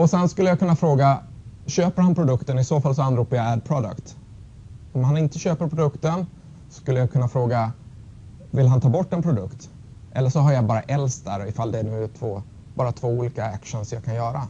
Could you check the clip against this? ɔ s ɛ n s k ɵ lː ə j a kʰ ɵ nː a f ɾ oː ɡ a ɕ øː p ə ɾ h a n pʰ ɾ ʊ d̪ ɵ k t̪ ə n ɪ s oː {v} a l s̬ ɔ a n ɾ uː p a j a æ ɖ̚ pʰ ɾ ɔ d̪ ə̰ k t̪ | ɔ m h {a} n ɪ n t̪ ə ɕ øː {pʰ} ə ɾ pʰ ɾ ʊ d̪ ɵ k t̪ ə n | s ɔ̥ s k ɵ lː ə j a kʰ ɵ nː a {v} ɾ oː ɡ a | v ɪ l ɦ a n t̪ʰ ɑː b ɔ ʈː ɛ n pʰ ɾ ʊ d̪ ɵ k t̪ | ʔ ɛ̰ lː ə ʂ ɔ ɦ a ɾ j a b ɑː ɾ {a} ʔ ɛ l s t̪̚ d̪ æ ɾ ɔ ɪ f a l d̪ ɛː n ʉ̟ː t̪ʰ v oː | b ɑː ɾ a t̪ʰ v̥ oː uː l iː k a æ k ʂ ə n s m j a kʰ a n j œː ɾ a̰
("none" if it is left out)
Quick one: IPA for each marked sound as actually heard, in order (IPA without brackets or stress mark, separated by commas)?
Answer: f, a, p, f, a